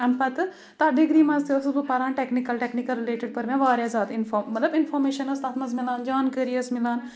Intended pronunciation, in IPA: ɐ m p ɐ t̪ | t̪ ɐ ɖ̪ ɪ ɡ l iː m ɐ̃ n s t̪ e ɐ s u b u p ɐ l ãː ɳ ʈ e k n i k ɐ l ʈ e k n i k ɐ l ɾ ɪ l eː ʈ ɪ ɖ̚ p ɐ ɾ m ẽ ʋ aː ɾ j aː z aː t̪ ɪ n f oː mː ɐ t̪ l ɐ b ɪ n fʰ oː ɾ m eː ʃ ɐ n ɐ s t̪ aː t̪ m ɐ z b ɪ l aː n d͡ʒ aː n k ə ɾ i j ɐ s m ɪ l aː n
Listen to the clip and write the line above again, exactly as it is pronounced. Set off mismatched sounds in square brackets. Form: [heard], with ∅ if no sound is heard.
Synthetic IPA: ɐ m p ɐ t̪ | t̪ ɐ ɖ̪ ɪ ɡ [ɾ] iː m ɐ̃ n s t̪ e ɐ s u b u p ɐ [ɾ] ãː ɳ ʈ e k n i k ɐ l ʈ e k n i k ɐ l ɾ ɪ l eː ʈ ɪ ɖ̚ p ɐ ɾ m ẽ ʋ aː ɾ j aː z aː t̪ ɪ n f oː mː ɐ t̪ l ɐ b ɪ n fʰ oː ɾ m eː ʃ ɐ n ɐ s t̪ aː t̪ m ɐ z [m] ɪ l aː n d͡ʒ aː n k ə ɾ i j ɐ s m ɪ l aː n